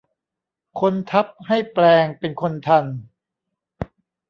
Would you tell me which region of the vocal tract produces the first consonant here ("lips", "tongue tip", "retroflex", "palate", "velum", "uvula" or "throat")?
velum